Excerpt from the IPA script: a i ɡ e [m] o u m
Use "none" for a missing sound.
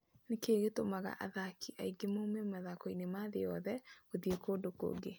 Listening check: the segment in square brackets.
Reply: m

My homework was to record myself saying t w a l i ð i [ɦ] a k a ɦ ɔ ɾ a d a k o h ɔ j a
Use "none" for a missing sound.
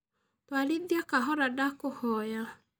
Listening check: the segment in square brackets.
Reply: none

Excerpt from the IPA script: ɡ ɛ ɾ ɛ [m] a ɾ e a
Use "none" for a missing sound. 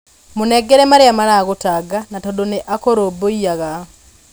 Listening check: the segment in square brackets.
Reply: m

